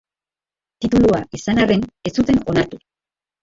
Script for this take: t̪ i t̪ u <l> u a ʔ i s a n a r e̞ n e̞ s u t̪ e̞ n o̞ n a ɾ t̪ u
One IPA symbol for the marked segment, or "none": l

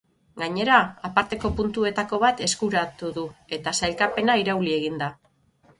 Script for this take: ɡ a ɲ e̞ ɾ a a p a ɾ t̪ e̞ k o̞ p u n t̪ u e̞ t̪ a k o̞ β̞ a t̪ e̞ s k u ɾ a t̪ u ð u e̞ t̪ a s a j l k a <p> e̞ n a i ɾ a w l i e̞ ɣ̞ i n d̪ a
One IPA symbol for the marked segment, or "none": p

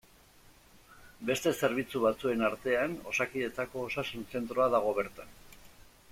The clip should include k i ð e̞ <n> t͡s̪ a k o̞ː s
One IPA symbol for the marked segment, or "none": none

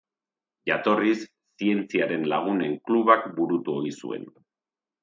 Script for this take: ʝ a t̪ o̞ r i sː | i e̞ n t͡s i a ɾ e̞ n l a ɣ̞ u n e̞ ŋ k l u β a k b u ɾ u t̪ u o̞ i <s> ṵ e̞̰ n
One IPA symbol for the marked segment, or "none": s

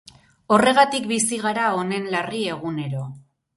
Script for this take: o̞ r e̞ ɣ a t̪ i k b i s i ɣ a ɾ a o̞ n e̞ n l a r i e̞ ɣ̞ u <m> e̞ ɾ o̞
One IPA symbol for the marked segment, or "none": n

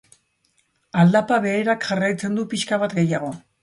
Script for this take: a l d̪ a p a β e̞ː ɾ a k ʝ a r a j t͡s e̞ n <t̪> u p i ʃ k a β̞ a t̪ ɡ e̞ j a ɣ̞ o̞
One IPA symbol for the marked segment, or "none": d̪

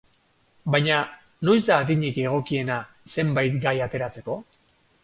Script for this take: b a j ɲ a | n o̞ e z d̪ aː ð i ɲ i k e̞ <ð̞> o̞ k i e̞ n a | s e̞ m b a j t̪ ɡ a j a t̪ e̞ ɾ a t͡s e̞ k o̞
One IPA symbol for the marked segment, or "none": ɣ̞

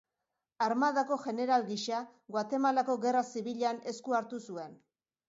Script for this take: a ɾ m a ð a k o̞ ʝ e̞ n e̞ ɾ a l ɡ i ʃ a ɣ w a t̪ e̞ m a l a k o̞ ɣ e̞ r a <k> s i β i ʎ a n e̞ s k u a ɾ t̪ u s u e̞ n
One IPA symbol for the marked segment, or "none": none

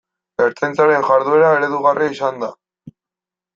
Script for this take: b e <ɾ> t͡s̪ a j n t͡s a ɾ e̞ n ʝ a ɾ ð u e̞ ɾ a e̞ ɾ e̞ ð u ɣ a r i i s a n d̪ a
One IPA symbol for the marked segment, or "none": ɾ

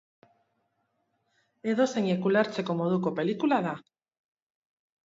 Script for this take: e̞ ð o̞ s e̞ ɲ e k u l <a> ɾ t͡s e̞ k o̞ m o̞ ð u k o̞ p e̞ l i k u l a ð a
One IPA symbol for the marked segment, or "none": a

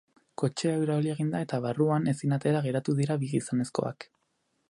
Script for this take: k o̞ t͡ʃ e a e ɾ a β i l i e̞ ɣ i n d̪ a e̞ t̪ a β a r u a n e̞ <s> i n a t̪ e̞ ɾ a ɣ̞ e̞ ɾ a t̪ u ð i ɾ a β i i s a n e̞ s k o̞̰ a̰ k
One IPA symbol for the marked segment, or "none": s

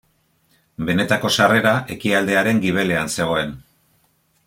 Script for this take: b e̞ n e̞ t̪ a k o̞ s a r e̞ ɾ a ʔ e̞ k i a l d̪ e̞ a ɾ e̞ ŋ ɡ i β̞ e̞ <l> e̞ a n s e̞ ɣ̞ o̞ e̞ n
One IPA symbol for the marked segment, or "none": l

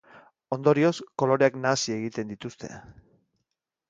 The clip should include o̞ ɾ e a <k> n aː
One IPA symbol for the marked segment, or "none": k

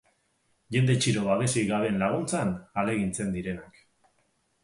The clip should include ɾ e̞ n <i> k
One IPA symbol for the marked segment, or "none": a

